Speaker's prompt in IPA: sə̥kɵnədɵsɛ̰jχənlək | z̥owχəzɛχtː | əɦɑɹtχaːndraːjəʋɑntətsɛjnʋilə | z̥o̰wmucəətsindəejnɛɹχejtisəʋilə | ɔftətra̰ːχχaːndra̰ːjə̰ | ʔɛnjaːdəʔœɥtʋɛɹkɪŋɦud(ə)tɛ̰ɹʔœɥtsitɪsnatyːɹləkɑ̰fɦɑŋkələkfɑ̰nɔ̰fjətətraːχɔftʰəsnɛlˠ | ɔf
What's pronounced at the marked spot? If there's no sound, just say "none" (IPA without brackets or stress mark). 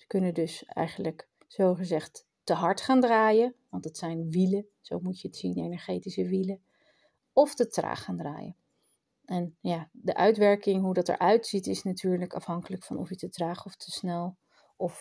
ɑ